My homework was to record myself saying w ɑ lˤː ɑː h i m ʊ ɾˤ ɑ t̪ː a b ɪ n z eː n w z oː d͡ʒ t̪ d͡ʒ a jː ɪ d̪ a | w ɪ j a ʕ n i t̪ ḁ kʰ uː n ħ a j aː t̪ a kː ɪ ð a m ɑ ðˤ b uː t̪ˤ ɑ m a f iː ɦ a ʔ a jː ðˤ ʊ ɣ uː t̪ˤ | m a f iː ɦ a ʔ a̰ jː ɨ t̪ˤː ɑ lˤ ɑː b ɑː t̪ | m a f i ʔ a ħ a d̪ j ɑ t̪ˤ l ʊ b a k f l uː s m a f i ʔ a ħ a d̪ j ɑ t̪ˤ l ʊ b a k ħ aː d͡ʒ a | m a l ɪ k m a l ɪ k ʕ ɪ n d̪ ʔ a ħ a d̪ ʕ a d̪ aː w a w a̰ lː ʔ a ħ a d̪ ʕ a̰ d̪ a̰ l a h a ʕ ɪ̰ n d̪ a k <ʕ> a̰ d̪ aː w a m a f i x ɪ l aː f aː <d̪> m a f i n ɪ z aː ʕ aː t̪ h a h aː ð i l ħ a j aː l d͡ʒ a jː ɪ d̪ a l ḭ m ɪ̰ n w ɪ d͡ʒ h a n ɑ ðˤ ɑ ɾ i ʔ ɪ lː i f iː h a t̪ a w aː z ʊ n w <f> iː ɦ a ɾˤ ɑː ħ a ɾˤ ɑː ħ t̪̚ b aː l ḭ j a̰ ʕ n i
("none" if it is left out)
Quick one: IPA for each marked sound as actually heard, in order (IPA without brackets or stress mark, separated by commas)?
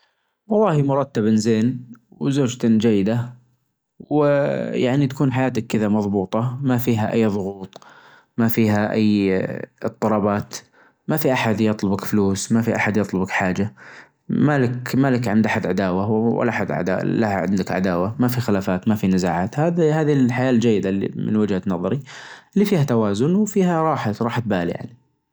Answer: ʕ, t̪, f